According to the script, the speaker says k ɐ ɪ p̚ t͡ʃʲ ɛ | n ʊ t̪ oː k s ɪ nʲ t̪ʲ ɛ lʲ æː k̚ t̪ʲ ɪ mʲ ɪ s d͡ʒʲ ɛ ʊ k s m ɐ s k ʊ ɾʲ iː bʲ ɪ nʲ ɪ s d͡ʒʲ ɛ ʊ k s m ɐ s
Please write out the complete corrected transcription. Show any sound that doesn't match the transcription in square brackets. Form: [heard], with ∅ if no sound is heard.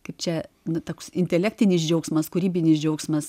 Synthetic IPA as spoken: k ɐ ɪ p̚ t͡ʃʲ ɛ | n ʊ t̪ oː k s ɪ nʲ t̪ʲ ɛ lʲ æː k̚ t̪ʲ ɪ [nʲ] ɪ s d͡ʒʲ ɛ ʊ k s m ɐ s k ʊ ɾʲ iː bʲ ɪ nʲ ɪ s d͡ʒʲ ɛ ʊ k s m ɐ s

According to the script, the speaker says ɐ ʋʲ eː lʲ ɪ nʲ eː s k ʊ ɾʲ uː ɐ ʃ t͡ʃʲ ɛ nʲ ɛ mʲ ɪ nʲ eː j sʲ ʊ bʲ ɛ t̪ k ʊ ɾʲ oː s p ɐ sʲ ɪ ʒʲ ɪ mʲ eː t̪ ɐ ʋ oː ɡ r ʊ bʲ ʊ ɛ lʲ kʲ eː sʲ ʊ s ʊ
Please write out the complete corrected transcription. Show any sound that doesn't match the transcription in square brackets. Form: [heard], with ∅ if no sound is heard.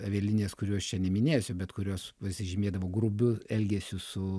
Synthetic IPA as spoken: ɐ ʋʲ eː lʲ ɪ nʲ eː s k ʊ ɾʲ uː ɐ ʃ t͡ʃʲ ɛ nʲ ɛ mʲ ɪ nʲ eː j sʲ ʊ bʲ ɛ t̪ k ʊ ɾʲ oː s p ɐ sʲ ɪ ʒʲ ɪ mʲ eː [d̪] ɐ ʋ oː ɡ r ʊ bʲ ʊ ɛ lʲ [ɡʲ] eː sʲ ʊ s ʊ

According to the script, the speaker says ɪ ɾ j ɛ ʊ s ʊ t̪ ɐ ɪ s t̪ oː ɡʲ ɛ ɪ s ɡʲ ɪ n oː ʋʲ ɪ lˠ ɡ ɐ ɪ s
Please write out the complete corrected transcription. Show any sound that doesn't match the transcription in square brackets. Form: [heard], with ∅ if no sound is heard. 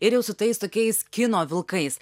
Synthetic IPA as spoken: ɪ ɾ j ɛ ʊ s ʊ t̪ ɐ ɪ s t̪ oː [kʲ] ɛ ɪ s [kʲ] ɪ n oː ʋʲ ɪ lˠ [k] ɐ ɪ s

